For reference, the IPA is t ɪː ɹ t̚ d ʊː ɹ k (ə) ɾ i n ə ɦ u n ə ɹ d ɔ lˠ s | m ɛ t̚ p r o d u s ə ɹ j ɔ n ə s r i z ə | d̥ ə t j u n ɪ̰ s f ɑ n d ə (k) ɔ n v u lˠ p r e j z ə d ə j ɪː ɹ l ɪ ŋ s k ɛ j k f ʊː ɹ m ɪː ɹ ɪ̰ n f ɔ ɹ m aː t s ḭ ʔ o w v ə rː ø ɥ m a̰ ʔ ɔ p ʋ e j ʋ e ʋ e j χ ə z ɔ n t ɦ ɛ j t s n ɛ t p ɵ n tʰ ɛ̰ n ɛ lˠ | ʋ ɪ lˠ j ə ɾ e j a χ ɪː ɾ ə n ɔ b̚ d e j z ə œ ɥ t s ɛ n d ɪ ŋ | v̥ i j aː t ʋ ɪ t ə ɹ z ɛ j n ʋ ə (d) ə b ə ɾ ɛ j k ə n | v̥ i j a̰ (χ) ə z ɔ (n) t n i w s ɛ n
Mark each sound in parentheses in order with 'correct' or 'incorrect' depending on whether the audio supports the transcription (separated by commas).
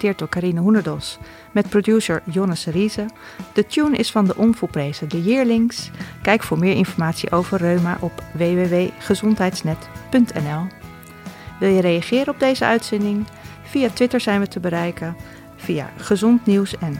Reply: incorrect, incorrect, incorrect, correct, correct